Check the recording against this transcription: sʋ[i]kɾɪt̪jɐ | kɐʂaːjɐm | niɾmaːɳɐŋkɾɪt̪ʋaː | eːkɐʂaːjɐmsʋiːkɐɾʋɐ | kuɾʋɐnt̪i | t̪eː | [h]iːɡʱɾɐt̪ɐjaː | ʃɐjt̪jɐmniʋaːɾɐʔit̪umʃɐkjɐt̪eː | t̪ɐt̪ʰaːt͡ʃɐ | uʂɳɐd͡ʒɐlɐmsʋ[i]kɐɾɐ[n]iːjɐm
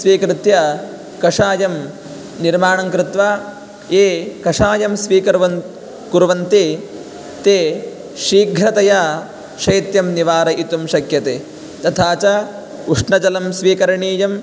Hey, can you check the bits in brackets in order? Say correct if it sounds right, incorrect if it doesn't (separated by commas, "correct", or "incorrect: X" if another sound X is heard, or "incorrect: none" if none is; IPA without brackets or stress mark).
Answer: incorrect: iː, incorrect: ʃ, incorrect: iː, incorrect: ɳ